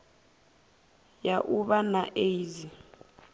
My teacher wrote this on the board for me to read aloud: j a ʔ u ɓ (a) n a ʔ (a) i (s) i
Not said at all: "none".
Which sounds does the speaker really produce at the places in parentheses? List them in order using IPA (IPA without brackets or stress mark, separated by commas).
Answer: a, e, z